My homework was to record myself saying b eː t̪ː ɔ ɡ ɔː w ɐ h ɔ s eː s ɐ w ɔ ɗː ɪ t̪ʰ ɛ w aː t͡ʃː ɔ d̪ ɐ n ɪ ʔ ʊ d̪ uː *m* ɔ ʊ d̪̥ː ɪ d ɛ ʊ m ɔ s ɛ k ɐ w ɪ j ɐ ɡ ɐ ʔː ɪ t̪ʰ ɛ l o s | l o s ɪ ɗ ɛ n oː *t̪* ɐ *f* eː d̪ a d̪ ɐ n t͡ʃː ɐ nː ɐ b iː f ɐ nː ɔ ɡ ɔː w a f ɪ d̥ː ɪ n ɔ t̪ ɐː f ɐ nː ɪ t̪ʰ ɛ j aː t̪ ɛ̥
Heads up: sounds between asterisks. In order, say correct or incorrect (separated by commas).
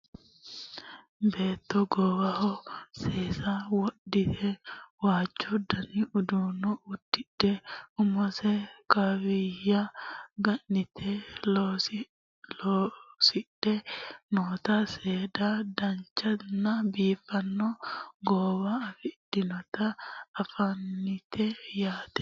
incorrect, correct, incorrect